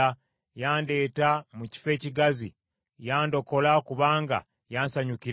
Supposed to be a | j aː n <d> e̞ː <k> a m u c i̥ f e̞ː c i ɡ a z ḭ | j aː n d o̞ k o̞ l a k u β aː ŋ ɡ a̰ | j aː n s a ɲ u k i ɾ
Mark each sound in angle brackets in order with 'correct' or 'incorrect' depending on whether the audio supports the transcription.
correct, incorrect: t

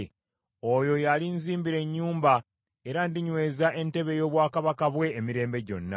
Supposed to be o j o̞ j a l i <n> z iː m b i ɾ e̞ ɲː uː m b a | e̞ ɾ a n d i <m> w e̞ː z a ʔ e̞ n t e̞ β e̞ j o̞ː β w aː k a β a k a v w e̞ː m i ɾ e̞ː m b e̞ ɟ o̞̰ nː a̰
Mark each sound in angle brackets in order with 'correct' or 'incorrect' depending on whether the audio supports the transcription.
correct, incorrect: ɲ

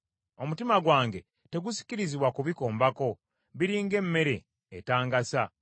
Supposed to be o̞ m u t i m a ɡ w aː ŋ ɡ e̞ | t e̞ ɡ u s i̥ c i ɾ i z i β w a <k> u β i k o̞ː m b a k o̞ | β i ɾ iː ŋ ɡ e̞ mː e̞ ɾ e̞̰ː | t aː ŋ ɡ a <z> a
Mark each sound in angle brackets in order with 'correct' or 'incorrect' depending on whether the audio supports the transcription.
correct, incorrect: s

